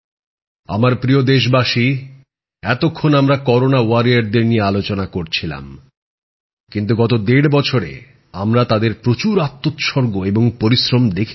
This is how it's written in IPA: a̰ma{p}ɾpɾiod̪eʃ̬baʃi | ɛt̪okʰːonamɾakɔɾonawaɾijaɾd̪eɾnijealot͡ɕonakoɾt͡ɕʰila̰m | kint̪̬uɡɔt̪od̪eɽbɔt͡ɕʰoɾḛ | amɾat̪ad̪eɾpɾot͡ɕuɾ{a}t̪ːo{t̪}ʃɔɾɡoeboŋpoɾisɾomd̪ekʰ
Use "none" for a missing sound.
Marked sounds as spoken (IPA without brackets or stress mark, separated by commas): none, a, t̪